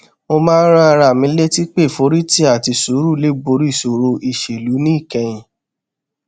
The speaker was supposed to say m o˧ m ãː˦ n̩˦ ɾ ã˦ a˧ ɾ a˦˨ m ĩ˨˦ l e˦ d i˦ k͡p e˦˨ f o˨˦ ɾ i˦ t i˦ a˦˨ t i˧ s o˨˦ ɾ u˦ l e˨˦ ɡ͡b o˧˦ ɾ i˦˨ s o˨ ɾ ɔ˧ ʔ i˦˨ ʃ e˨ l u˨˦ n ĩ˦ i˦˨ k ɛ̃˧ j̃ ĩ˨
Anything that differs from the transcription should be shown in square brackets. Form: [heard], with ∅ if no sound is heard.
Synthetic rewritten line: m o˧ m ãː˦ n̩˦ ɾ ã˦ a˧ ɾ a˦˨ m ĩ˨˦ l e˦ [t] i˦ k͡p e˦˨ f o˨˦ ɾ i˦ t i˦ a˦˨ t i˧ s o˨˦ ɾ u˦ l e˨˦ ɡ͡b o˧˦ ɾ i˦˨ s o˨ ɾ [o˧] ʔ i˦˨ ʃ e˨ l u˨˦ n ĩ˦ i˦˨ k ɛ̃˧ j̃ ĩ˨